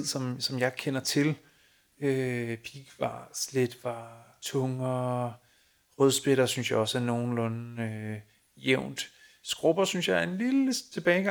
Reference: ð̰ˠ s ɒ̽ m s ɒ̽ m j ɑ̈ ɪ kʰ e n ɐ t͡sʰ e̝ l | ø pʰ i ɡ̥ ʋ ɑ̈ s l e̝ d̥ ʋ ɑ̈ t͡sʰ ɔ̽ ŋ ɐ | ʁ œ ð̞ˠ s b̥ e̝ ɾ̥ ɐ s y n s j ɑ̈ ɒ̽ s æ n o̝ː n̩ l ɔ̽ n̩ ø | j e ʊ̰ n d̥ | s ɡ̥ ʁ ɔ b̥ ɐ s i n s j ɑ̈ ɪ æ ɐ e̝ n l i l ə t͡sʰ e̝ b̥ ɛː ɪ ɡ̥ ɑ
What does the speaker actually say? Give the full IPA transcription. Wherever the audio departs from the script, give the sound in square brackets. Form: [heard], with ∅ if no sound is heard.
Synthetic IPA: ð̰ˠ s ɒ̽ m s ɒ̽ m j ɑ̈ ɪ kʰ e n ɐ t͡sʰ e̝ l | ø pʰ i ɡ̥ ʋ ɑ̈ s l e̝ d̥ ʋ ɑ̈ t͡sʰ ɔ̽ ŋ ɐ | ʁ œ ð̞ˠ s b̥ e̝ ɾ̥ ɐ s y n s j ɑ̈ ɒ̽ s æ n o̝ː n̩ l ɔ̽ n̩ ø | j e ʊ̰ n d̥ | s ɡ̥ ʁ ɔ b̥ ɐ s [y] n s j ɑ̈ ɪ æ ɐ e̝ n l i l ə t͡sʰ e̝ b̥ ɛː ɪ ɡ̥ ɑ